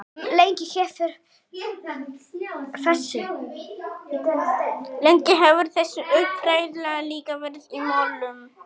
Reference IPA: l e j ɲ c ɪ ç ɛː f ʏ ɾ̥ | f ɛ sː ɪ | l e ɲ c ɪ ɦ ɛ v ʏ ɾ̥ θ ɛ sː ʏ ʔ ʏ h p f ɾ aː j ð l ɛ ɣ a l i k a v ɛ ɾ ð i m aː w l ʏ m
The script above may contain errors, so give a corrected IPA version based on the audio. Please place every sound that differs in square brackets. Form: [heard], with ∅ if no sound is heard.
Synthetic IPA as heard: l e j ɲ c ɪ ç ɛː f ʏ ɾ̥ | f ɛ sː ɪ | l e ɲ c ɪ ɦ ɛ v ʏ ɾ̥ θ ɛ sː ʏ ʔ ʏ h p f ɾ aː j ð l ɛ ɣ a l [iː] k a v ɛ ɾ ð i m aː w l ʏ m